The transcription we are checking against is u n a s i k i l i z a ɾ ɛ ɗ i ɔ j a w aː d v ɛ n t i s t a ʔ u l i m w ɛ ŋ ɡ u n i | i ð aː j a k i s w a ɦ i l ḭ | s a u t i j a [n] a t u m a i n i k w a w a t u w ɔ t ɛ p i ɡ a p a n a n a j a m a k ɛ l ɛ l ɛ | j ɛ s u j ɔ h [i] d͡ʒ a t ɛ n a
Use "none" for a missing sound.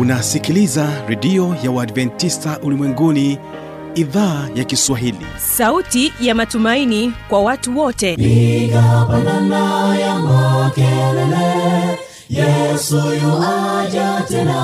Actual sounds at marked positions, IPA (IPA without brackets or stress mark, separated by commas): m, a